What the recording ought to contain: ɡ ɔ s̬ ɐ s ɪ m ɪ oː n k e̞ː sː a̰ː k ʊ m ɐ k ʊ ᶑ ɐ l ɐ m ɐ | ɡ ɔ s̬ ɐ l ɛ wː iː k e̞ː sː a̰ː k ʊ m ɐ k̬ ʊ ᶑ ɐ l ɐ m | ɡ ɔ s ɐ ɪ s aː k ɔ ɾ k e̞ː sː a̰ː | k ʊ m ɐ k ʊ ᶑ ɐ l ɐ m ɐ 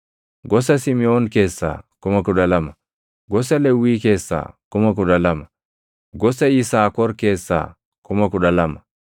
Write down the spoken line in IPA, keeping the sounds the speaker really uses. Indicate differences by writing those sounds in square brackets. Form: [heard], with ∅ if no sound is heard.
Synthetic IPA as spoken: ɡ ɔ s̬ ɐ s ɪ m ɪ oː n k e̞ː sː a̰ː k ʊ m ɐ k ʊ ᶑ ɐ l ɐ m ɐ | ɡ ɔ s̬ ɐ l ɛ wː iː k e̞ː sː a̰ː k ʊ m ɐ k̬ ʊ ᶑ ɐ l ɐ m | ɡ ɔ s ɐ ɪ s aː k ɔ ɾ k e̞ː sː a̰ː | k ʊ m ɐ k ʊ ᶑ ɐ l ɐ m ɐ